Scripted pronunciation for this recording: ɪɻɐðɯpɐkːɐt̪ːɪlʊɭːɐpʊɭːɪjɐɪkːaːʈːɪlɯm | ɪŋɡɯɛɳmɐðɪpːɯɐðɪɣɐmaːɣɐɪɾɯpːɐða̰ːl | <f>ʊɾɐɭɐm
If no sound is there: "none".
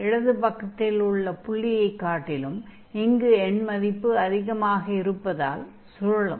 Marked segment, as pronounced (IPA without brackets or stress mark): s